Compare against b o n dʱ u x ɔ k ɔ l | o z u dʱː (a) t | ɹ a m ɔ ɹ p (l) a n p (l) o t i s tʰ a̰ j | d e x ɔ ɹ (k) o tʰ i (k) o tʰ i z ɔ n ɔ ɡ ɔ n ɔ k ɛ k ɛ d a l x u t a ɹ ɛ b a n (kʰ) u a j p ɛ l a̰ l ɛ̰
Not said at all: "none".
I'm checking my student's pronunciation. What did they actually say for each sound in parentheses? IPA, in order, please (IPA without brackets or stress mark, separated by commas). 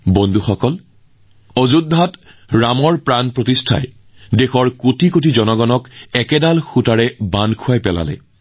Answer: a, ɹ, ɹ, k, k, kʰ